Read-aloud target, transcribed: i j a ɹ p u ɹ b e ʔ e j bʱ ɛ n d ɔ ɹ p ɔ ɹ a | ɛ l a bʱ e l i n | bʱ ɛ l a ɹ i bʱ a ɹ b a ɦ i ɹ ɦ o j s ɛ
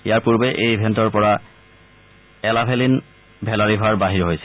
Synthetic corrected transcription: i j a ɹ p u ɹ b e ʔ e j bʱ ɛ n t ɔ ɹ p ɔ ɹ a | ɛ l a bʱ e l i n | bʱ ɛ l a ɹ i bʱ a ɹ b a ɦ i ɹ ɦ o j s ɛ